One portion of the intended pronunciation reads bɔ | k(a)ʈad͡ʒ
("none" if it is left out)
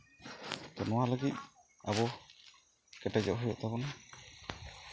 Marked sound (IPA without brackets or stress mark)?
ɛ